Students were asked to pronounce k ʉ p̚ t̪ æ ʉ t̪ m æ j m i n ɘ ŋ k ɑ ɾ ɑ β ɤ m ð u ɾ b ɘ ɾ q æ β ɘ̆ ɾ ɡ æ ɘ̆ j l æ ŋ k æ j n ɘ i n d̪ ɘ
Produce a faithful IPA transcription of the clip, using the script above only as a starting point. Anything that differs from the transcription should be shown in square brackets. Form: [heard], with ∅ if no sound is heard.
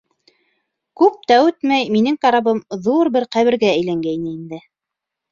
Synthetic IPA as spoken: k ʉ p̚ t̪ æ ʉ t̪ m æ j m i n ɘ ŋ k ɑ ɾ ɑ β ɤ m ð u ɾ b ɘ ɾ q æ β ɘ̆ ɾ ɡ æ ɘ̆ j l æ ŋ [ɡ] æ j n ɘ i n d̪ ɘ